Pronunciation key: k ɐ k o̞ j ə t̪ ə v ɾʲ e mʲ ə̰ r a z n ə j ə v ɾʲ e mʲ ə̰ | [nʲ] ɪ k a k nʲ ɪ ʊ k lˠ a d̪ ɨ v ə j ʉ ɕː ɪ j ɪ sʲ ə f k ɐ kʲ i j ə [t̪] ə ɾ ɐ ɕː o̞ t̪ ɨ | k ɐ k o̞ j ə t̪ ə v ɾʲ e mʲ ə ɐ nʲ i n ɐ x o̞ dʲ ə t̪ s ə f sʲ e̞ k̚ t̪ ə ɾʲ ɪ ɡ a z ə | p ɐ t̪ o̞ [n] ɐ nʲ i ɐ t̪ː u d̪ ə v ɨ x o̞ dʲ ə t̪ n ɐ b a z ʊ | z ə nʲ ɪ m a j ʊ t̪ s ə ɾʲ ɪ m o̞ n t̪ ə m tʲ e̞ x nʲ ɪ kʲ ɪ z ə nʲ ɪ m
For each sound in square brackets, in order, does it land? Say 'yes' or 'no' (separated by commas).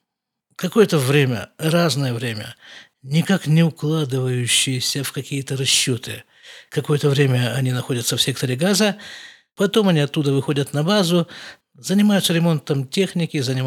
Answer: yes, yes, no